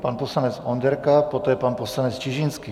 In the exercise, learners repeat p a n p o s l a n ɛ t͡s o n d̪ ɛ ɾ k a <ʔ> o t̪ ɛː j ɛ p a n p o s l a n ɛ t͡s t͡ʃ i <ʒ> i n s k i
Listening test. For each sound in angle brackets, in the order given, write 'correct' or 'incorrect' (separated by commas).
incorrect, correct